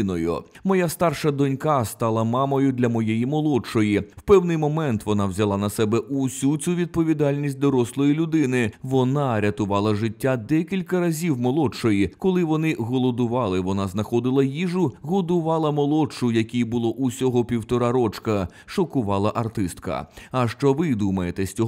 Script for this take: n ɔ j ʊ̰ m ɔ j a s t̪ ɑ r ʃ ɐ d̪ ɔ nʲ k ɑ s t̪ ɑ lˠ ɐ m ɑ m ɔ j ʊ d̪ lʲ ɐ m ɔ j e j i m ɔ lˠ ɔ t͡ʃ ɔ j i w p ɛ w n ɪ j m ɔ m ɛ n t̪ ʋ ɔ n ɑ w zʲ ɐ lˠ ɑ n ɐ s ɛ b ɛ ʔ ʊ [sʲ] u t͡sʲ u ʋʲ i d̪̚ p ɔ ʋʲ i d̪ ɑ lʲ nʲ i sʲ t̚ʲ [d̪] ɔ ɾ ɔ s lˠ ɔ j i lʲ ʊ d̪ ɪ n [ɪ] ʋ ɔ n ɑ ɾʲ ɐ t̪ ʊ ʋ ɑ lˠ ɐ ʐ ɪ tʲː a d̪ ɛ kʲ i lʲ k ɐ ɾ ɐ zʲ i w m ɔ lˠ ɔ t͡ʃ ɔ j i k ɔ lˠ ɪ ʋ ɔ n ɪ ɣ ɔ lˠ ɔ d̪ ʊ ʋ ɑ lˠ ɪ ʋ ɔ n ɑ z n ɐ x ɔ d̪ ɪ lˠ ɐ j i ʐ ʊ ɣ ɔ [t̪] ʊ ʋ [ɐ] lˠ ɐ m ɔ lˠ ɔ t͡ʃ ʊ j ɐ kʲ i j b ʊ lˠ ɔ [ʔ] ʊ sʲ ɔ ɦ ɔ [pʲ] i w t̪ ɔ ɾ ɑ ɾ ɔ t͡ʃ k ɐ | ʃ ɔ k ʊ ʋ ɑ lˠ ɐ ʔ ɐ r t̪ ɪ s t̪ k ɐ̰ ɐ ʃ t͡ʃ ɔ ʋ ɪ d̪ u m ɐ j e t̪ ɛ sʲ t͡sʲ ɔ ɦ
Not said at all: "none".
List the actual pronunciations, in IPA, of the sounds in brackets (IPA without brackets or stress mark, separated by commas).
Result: sʲ, d̪, ɪ, d̪, ɑ, ʔ, pʲ